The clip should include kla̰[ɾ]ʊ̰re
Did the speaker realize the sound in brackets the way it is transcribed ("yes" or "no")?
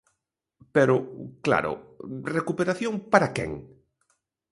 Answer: yes